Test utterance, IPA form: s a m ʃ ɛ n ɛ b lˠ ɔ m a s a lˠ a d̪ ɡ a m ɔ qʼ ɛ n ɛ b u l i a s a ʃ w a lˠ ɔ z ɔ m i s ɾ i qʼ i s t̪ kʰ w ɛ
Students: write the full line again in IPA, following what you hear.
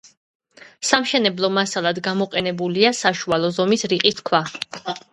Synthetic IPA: s a m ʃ ɛ n ɛ b lˠ ɔ m a s a lˠ a d̪ ɡ a m ɔ qʼ ɛ n ɛ b u l i a s a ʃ u a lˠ ɔ z ɔ m i s ɾ i qʼ i s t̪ kʰ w a